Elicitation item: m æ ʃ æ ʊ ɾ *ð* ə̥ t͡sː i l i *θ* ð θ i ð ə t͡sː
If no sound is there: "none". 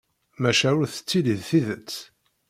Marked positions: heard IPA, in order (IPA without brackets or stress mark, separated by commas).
θ, none